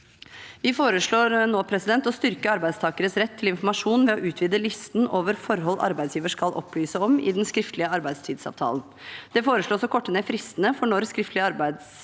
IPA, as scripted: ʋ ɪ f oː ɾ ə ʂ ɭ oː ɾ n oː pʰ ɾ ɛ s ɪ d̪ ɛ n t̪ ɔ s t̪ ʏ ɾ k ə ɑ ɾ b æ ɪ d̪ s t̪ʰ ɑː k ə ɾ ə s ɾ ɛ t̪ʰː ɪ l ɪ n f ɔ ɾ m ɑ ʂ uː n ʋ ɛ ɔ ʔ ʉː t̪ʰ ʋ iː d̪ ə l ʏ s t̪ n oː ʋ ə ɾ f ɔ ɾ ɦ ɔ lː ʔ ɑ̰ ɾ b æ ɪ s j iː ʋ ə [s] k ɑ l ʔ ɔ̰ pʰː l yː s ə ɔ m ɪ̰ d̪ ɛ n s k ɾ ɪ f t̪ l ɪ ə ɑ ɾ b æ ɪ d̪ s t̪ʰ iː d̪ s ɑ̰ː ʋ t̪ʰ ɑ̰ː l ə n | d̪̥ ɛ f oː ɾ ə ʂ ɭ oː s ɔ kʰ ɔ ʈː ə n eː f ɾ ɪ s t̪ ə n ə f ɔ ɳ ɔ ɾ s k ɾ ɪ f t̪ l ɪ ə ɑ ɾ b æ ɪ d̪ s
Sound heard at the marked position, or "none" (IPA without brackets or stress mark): ʂ